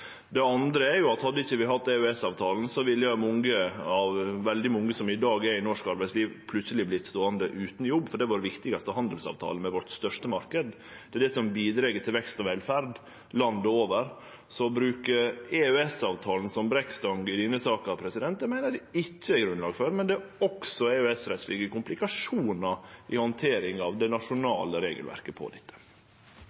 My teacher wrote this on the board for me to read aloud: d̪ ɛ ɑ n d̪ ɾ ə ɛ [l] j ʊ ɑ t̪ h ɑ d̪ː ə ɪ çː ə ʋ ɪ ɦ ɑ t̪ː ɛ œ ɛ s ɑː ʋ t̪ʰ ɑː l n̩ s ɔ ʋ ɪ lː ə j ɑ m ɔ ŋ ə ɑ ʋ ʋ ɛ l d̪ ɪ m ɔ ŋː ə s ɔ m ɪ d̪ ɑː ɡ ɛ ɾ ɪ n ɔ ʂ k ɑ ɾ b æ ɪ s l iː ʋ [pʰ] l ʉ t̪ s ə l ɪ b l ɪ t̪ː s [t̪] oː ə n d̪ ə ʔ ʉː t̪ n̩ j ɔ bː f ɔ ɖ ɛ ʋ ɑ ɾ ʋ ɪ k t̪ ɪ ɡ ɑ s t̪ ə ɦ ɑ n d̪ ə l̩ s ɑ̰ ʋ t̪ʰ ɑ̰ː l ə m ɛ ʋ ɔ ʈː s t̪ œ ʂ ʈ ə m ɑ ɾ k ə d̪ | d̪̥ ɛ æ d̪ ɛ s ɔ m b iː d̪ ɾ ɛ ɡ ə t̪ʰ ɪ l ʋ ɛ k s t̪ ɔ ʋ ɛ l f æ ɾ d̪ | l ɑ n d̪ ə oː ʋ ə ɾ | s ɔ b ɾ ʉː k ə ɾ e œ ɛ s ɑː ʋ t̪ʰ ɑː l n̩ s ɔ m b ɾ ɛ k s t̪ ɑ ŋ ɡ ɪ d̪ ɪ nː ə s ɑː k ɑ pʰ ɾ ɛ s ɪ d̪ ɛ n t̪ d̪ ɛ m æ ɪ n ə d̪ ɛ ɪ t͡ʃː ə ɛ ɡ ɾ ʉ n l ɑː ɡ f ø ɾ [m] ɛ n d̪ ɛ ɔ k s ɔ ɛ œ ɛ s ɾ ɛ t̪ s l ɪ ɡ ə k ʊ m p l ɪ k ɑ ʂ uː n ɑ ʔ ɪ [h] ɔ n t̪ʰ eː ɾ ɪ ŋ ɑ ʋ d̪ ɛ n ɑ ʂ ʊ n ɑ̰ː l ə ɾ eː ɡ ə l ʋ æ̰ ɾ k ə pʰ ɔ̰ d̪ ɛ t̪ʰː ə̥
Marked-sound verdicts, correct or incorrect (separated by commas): incorrect, correct, correct, correct, correct